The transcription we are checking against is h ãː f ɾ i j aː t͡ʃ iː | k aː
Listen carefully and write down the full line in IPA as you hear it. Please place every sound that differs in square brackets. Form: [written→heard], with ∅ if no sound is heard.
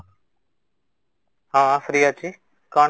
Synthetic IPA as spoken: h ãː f ɾ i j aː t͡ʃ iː | k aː